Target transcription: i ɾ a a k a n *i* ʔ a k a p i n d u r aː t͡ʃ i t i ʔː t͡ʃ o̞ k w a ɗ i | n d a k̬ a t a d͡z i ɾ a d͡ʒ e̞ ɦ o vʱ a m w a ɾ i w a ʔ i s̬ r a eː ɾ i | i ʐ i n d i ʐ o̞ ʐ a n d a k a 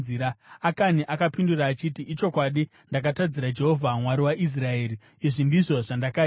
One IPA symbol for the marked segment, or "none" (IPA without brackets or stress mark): i